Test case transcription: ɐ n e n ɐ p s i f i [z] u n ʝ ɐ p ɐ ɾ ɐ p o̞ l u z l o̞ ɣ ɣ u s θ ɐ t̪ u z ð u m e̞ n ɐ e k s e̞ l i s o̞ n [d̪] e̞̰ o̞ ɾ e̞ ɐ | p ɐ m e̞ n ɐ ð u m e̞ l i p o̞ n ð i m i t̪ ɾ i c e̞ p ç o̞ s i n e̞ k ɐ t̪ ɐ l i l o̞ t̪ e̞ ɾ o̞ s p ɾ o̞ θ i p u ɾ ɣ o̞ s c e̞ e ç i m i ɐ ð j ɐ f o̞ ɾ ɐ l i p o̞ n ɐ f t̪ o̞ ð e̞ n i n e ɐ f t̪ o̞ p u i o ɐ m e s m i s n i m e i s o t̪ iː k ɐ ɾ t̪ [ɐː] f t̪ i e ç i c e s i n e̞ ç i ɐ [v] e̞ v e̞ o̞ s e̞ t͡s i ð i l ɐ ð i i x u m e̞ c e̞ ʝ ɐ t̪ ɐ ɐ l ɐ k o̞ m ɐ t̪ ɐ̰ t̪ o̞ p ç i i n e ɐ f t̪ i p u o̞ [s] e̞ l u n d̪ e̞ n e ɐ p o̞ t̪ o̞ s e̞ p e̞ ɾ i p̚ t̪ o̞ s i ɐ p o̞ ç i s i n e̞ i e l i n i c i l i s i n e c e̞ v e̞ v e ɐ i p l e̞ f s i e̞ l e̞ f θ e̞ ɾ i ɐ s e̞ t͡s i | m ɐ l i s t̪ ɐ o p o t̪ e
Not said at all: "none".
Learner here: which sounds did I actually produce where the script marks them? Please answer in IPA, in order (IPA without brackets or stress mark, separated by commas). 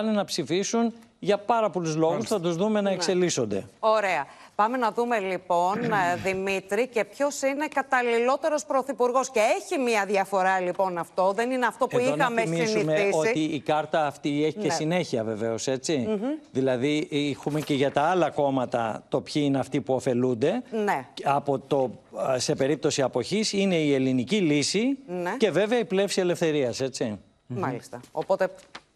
s, d̪, ɐː, v, f